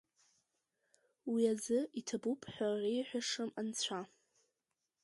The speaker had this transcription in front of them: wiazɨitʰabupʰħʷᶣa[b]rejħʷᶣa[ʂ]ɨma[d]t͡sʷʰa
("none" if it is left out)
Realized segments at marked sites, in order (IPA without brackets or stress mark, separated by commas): none, ʂ, n